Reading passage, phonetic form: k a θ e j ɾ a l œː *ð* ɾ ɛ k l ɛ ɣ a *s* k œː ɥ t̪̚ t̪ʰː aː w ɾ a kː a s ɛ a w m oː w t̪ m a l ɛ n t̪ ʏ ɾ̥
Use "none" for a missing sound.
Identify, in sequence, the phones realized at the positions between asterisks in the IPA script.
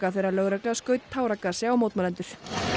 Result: ɣ, s

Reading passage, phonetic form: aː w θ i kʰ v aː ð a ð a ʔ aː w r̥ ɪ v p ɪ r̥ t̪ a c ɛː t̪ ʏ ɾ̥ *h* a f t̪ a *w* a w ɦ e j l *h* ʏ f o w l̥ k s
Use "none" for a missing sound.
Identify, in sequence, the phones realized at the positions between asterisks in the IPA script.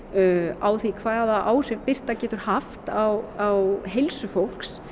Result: h, w, s

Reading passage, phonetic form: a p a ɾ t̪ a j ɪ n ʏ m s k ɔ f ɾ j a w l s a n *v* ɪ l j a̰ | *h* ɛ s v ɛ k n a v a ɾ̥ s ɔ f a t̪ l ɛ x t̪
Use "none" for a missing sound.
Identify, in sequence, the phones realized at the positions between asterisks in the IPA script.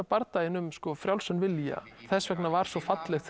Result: v, θ

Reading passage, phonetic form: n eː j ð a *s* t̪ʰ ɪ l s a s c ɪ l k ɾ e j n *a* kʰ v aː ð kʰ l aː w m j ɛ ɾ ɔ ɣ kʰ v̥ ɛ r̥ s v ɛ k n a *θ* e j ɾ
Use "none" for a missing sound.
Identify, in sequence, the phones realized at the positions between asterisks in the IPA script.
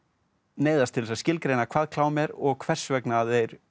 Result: s, a, ð

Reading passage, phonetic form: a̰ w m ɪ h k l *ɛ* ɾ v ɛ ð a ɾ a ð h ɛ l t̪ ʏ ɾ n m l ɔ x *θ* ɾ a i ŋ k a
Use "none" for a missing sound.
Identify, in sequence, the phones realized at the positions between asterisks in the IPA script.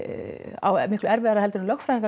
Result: ɛ, f

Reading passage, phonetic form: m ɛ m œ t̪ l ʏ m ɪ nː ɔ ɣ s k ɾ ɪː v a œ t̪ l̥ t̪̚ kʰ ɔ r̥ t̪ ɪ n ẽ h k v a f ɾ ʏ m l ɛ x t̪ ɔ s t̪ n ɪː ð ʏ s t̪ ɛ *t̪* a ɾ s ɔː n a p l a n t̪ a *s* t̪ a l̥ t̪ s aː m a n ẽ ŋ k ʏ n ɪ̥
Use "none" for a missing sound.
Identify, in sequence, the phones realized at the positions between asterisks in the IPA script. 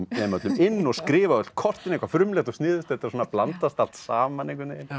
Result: t̪, s

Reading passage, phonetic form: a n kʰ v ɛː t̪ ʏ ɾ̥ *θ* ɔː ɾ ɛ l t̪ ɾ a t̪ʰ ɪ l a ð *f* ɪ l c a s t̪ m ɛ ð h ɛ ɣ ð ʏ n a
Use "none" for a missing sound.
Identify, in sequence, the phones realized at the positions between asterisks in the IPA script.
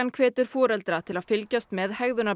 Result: f, f

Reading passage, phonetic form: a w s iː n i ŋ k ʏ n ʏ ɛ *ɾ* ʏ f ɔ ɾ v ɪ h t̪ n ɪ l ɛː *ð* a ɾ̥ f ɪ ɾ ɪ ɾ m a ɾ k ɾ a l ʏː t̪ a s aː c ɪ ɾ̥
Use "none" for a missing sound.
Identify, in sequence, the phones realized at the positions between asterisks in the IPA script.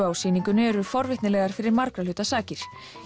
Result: ɾ, ɣ

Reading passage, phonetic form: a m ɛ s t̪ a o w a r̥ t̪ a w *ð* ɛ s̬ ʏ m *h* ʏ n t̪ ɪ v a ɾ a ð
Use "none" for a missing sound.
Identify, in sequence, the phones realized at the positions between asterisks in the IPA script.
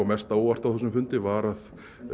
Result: θ, f

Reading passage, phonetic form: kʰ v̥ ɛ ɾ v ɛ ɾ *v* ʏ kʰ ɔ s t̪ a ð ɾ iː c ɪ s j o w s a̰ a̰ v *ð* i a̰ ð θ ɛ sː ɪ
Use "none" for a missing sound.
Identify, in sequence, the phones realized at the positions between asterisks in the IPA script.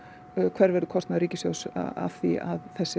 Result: ð, θ

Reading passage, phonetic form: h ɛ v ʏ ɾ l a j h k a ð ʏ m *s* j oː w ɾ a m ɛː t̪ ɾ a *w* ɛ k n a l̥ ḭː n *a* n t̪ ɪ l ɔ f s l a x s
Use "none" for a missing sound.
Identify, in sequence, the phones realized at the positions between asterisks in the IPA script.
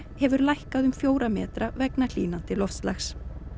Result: f, v, a

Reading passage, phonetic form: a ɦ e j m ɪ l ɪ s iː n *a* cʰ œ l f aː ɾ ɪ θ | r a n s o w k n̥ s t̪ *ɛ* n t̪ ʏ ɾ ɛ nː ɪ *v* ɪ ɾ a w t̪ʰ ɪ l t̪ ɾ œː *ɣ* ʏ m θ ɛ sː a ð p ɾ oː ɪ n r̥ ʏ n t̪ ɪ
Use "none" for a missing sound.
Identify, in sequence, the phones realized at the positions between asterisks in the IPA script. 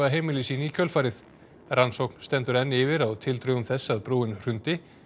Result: i, ɛ, v, ɣ

